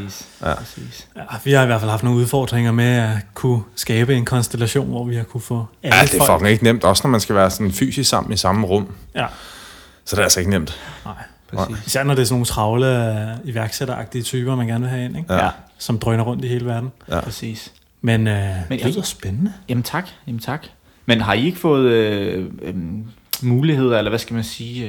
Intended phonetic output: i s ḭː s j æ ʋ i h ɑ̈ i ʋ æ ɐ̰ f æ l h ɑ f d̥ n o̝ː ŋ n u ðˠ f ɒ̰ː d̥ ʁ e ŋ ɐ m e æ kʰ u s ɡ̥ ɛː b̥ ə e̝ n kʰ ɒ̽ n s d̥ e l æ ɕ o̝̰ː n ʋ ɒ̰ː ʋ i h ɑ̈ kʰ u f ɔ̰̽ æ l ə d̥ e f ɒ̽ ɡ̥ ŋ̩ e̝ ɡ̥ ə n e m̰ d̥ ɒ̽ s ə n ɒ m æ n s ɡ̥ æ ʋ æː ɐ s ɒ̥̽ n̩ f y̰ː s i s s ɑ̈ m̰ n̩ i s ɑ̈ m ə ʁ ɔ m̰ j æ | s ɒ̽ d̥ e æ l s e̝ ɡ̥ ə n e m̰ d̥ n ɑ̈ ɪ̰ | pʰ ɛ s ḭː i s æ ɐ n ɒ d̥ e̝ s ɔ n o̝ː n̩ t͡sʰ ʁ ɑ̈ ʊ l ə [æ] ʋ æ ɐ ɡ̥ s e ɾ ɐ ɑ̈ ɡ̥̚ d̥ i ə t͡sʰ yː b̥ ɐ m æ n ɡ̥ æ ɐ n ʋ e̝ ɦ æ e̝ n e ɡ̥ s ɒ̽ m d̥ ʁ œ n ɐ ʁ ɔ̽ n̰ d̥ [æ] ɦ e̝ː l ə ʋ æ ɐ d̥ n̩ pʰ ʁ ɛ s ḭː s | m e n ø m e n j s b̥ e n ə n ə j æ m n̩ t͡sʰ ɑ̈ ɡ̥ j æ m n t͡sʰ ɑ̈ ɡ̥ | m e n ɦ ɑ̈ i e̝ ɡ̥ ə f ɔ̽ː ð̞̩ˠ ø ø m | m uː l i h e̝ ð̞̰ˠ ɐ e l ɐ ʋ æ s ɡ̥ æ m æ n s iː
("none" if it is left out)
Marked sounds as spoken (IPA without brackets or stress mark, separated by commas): i, i